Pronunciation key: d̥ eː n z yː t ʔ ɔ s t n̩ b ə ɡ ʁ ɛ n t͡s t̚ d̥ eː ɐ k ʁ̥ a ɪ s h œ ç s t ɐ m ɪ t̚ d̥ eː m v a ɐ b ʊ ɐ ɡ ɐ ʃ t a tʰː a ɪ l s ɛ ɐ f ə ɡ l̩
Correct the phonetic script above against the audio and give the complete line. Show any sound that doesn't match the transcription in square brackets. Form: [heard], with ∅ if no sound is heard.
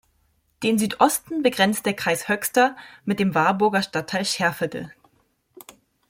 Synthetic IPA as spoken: d̥ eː n z yː t ʔ ɔ s t n̩ b ə ɡ ʁ ɛ n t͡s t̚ d̥ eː ɐ k ʁ̥ a ɪ s h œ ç s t ɐ m ɪ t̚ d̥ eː m v a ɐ b ʊ ɐ ɡ ɐ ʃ t a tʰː a ɪ l [ʃ] ɛ ɐ f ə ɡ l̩